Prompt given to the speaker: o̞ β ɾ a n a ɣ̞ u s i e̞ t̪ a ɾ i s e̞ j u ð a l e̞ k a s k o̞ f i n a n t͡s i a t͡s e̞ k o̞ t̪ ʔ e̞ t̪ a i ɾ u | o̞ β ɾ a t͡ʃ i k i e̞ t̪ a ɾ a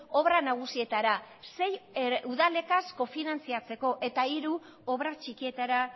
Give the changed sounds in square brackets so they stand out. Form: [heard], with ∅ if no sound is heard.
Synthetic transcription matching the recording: o̞ β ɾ a n a ɣ̞ u s i e̞ t̪ a ɾ [a] s e̞ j u ð a l e̞ k a s k o̞ f i n a n t͡s i a t͡s e̞ k o̞ [∅] ʔ e̞ t̪ a i ɾ u | o̞ β ɾ a t͡ʃ i k i e̞ t̪ a ɾ a